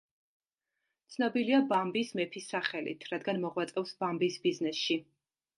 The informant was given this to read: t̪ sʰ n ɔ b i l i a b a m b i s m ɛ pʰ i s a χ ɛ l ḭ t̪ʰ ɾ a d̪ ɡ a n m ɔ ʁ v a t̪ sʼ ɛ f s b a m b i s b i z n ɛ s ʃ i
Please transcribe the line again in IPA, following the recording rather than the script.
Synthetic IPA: t̪ sʰ n ɔ b i l i a b a m b i s m ɛ pʰ i s a χ ɛ l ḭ t̪ʰ ɾ a d̪ ɡ a n m ɔ ʁ w a t̪ sʼ ɛ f s b a m b i s b i z n ɛ s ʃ i